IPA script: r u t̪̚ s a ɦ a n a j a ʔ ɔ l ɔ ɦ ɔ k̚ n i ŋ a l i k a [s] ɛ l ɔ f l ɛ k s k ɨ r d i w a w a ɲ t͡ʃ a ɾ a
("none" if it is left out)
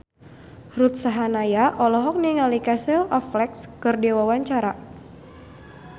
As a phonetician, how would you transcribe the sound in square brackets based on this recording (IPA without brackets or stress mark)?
s